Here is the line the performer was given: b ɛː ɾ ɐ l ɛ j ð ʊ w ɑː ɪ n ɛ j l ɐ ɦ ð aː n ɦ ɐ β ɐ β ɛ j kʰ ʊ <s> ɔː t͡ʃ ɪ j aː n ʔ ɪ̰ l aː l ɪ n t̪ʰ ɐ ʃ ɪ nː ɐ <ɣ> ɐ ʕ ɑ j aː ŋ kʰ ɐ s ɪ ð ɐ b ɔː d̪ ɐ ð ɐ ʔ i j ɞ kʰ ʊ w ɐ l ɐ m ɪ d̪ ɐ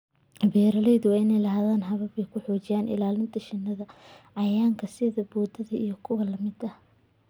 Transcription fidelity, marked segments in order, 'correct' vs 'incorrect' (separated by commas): incorrect, incorrect